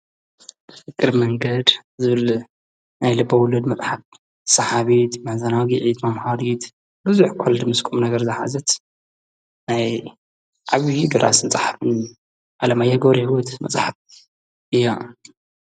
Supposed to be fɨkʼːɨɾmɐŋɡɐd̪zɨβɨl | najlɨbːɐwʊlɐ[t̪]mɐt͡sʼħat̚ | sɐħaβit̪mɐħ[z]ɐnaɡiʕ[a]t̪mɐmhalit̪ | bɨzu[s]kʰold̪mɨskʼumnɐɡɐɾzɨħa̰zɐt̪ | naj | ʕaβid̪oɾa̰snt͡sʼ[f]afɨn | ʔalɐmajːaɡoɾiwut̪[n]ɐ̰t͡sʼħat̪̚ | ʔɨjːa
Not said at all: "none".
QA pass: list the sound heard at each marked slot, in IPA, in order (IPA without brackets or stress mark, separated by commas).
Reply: d̪, z, i, ħ, ħ, m